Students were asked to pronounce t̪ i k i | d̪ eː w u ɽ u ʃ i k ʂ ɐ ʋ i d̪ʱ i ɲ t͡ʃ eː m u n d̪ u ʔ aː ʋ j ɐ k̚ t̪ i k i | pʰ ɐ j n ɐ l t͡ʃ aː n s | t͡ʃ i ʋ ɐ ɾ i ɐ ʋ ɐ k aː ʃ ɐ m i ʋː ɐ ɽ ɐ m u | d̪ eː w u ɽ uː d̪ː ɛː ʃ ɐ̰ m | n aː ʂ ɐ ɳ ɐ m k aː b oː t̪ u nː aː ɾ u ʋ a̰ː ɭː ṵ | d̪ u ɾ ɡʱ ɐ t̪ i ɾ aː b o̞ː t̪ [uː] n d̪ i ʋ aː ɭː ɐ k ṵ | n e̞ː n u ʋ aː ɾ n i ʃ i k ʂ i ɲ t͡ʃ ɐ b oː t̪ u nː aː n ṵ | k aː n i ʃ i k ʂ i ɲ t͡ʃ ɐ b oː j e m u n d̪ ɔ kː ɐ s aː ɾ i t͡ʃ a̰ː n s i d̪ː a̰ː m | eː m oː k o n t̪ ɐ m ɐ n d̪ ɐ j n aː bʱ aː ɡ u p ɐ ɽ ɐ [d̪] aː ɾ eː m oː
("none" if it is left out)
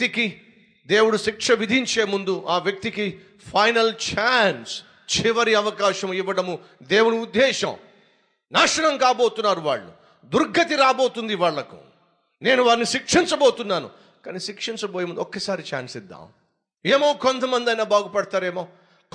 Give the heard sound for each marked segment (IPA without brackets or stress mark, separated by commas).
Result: u, t̪